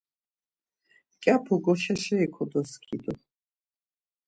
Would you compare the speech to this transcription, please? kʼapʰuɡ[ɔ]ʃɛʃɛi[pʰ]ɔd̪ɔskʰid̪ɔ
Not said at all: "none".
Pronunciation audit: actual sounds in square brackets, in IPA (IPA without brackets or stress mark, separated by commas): ɔ, kʰ